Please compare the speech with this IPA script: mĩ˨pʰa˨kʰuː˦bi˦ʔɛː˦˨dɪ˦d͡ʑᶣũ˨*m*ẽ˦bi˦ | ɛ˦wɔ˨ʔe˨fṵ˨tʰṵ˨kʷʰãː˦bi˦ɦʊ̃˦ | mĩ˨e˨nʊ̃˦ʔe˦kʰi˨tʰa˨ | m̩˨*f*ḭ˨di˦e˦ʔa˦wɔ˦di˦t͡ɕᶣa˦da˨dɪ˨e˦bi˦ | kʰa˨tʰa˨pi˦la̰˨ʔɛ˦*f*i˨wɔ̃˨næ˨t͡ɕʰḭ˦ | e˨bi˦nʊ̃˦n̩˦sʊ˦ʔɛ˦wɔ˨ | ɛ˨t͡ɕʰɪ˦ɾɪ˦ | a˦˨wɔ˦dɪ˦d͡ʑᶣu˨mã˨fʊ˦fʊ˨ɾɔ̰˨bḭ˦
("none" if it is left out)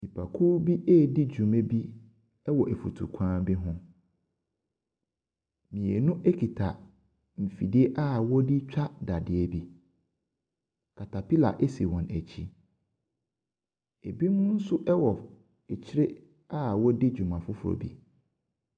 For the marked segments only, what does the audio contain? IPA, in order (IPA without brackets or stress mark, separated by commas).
m, f, s